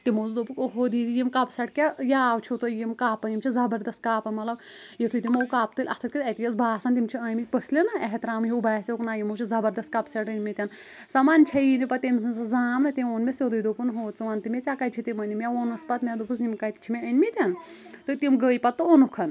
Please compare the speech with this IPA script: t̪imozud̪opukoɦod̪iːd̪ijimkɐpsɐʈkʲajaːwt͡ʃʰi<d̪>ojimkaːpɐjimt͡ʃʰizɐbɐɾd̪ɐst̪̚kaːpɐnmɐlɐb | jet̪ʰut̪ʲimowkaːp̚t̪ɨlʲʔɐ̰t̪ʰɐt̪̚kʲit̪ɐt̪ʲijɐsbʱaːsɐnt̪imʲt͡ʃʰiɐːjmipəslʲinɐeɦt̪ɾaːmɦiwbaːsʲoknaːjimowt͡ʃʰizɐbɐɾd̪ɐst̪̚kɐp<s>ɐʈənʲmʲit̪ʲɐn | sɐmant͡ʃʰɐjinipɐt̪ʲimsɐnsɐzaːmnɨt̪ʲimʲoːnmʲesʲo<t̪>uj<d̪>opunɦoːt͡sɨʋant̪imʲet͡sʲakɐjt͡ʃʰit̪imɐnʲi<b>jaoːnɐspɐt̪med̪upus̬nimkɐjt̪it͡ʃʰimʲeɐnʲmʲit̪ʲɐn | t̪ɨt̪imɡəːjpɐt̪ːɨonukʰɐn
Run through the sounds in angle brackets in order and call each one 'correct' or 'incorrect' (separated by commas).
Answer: incorrect, correct, incorrect, correct, incorrect